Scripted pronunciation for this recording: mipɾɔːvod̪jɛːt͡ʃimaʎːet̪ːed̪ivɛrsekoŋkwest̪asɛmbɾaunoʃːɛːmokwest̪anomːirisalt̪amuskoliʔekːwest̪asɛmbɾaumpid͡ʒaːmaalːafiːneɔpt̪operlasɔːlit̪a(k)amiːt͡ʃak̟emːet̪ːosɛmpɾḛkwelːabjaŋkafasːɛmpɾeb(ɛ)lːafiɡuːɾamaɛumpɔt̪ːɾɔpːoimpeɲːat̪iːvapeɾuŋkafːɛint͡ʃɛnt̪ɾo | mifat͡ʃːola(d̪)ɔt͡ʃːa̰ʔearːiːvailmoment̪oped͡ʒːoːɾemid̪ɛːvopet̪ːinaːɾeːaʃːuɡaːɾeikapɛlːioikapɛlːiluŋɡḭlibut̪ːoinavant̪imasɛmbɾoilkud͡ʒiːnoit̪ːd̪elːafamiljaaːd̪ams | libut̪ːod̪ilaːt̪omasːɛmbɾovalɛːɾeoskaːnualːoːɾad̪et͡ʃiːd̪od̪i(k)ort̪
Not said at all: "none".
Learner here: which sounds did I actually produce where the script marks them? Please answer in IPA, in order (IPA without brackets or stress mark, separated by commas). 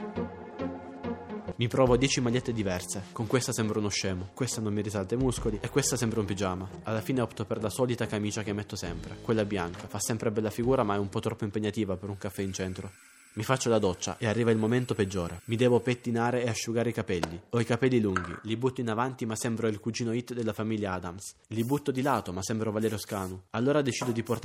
k, ɛ, d̪, p